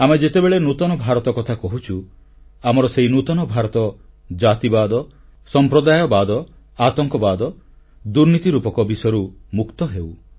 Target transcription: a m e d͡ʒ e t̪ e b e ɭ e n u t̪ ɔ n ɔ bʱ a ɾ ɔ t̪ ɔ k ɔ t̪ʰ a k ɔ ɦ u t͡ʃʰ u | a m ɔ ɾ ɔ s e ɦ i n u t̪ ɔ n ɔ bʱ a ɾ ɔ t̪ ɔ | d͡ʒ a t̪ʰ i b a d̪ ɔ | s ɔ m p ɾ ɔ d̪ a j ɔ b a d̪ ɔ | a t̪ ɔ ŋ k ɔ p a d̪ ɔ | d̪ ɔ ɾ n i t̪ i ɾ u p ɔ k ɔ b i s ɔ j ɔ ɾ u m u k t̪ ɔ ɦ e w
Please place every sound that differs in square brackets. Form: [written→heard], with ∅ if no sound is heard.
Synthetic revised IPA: a m e d͡ʒ e t̪ e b e ɭ e n u t̪ ɔ n ɔ bʱ a ɾ ɔ t̪ ɔ k ɔ t̪ʰ a k ɔ ɦ u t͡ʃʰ u | a m ɔ ɾ ɔ s e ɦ i n u t̪ ɔ n ɔ bʱ a ɾ ɔ t̪ ɔ | d͡ʒ a [t̪ʰ→t̪] i b a d̪ ɔ | s ɔ m p ɾ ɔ d̪ a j ɔ b a d̪ ɔ | a t̪ ɔ ŋ k ɔ [p→b] a d̪ ɔ | d̪ [ɔ→u] ɾ n i t̪ i ɾ u p ɔ k ɔ b i s ɔ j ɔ ɾ u m u k t̪ ɔ ɦ e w